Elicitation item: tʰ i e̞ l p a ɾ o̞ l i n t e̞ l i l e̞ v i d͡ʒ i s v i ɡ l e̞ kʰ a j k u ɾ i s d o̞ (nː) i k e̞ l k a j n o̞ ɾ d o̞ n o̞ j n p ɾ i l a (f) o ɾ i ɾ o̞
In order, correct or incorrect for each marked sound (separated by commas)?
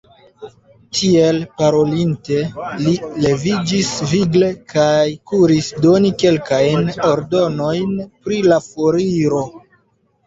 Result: incorrect, correct